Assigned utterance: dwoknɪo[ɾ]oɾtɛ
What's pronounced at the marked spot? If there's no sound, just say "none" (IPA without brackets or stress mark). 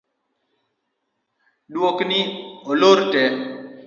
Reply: l